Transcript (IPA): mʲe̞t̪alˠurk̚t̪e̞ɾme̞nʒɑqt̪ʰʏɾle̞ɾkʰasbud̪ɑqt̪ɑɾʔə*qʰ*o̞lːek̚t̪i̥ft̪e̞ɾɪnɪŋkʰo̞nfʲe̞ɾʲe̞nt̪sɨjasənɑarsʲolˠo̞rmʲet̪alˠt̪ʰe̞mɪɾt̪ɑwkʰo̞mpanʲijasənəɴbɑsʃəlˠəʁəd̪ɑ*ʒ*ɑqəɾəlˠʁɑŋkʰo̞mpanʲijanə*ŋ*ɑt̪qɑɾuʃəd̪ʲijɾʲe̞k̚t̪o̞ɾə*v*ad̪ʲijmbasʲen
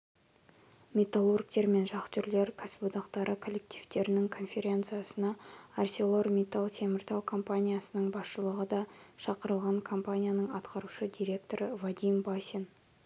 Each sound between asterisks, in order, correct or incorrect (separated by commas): incorrect, incorrect, incorrect, correct